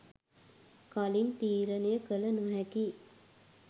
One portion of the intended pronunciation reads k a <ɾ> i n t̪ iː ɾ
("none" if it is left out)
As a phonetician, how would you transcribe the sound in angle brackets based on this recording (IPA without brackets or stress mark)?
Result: l